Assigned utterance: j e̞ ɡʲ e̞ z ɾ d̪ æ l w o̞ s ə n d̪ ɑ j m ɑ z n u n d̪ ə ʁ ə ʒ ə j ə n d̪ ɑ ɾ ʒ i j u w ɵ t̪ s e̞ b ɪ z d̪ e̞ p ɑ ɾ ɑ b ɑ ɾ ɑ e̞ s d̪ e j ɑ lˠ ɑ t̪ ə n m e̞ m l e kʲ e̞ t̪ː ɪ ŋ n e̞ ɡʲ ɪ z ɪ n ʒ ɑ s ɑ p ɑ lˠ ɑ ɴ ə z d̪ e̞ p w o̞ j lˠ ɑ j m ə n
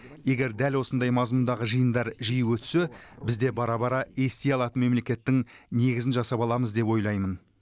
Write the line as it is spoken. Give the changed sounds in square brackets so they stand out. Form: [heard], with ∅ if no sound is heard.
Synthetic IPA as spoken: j e̞ ɡʲ e̞ [∅] ɾ d̪ æ l w o̞ s ə n d̪ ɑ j m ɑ z [m] u n d̪ [ɑ] ʁ ə ʒ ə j ə n d̪ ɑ ɾ ʒ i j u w ɵ t̪ s e̞ b ɪ z d̪ e̞ [b] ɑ ɾ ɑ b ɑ ɾ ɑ e̞ s [t̪] e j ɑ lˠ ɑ t̪ ə n m e̞ m l e kʲ e̞ t̪ː ɪ ŋ n e̞ ɡʲ ɪ z ɪ n ʒ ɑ s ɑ p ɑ lˠ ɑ [m] ə z d̪ e̞ p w o̞ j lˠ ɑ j m ə n

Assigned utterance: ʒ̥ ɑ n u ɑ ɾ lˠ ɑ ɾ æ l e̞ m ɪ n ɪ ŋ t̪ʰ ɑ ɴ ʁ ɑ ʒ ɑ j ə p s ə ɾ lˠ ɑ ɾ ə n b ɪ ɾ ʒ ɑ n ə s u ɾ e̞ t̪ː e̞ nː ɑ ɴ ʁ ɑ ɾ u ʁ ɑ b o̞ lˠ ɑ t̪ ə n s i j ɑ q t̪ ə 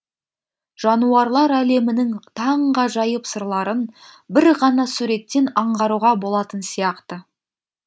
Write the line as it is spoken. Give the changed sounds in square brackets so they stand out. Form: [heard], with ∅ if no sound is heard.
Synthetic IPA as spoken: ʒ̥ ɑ n u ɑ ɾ lˠ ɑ ɾ æ l e̞ m ɪ n ɪ ŋ t̪ʰ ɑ ɴ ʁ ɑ ʒ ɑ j ə p s ə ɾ lˠ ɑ ɾ ə n b ɪ ɾ [ʁ] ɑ n [ɑ] s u ɾ e̞ t̪ː e̞ [n] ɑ ɴ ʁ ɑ ɾ u ʁ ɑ b o̞ lˠ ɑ t̪ ə n s i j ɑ q t̪ ə

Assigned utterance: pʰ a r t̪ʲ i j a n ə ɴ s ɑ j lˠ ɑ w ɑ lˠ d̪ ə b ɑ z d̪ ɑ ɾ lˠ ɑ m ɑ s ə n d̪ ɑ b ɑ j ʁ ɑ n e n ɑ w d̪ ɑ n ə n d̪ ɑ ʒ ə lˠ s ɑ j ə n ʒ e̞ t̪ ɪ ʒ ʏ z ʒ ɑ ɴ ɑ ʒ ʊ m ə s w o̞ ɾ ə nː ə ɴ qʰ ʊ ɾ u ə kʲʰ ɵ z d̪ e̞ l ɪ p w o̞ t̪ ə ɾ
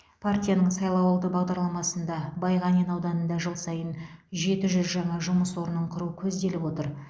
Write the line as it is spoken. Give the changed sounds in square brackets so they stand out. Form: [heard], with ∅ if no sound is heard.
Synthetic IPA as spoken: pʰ a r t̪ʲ i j a n ə ɴ s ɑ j lˠ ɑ w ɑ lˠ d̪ ə b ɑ [ʁ] d̪ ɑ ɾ lˠ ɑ m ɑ s ə n d̪ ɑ b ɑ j ʁ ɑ n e n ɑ w d̪ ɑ n ə n d̪ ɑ ʒ ə lˠ s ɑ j ə n ʒ e̞ t̪ ɪ ʒ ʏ z ʒ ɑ ɴ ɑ ʒ ʊ m ə s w o̞ ɾ ə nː ə ɴ qʰ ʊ ɾ u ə kʲʰ ɵ z d̪ e̞ l ɪ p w o̞ t̪ ə ɾ

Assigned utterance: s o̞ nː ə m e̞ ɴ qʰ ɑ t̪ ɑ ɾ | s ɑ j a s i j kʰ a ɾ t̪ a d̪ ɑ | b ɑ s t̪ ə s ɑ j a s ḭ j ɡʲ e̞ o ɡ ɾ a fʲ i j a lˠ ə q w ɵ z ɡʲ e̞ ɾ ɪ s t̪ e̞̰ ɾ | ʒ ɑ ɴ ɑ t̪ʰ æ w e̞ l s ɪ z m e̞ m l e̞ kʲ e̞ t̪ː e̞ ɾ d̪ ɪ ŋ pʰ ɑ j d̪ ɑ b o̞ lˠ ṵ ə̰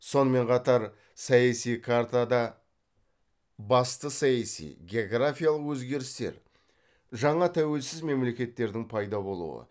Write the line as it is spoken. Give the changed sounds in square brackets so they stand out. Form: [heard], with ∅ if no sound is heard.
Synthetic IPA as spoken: s o̞ [n] ə m e̞ ɴ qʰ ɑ t̪ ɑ ɾ | s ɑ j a s i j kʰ a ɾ t̪ a d̪ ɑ | b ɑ s t̪ ə s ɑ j a s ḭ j ɡʲ e̞ o ɡ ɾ a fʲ i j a lˠ ə q w ɵ z ɡʲ e̞ ɾ ɪ s t̪ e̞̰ ɾ | ʒ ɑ ɴ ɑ t̪ʰ æ w e̞ l s ɪ z m e̞ m l e̞ kʲ e̞ t̪ː e̞ ɾ d̪ ɪ ŋ pʰ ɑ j d̪ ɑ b o̞ lˠ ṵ ə̰

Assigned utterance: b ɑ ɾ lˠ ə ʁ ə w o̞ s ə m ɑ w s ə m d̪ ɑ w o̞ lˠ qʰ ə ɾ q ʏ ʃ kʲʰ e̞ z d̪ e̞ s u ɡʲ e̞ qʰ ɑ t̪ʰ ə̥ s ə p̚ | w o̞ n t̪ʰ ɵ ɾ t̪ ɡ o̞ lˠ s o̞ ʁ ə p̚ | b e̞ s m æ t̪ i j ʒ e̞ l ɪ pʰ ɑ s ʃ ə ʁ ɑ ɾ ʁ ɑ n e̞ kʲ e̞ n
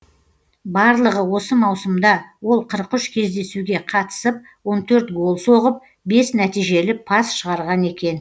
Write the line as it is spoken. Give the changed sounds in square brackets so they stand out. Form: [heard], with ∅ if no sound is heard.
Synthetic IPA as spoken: b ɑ ɾ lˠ ə ʁ ə w o̞ s ə m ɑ w s ə m d̪ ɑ w o̞ lˠ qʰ ə ɾ q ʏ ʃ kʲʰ e̞ z d̪ e̞ s u ɡʲ e̞ qʰ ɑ [t̪] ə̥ s ə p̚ | w o̞ n t̪ʰ ɵ ɾ t̪ ɡ o̞ lˠ s o̞ ʁ ə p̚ | b e̞ s [n] æ t̪ i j ʒ e̞ l ɪ pʰ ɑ s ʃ ə ʁ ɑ ɾ ʁ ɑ n e̞ kʲ e̞ n

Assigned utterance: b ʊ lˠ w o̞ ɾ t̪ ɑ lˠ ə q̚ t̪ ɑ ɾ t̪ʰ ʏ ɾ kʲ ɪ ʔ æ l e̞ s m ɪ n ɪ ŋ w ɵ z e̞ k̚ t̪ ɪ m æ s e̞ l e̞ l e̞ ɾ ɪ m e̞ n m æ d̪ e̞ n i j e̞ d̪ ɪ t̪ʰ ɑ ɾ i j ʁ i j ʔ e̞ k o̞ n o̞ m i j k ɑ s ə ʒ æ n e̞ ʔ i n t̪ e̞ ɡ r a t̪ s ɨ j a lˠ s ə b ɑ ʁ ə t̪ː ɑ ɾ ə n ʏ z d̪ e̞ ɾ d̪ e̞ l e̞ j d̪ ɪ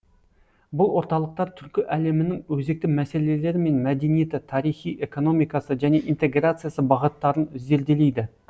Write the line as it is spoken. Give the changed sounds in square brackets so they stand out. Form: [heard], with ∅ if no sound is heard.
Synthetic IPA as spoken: b ʊ lˠ w o̞ ɾ t̪ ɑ lˠ ə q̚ t̪ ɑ ɾ t̪ʰ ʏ ɾ kʲ ɪ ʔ æ l e̞ [∅] m ɪ n ɪ ŋ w ɵ z e̞ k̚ t̪ ɪ m æ s e̞ l e̞ l e̞ ɾ ɪ m e̞ n m æ d̪ e̞ n i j e̞ [t̪] ɪ t̪ʰ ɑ ɾ i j [χ] i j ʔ e̞ k o̞ n o̞ m i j k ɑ s ə ʒ æ n e̞ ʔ i n t̪ e̞ ɡ r a t̪ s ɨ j a [∅] s ə b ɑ ʁ ə t̪ː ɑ ɾ ə n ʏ z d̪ e̞ ɾ d̪ e̞ l e̞ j d̪ ɪ

